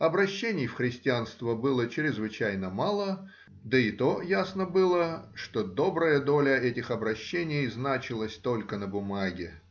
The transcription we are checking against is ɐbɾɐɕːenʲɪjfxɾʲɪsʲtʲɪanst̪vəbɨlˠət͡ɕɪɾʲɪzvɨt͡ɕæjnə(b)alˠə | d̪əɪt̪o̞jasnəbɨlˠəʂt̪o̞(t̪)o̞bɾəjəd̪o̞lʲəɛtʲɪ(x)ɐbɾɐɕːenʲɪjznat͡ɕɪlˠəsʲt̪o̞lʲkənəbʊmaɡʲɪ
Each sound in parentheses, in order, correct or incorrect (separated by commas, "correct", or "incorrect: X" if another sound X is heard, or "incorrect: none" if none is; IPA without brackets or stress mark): incorrect: m, incorrect: d̪, correct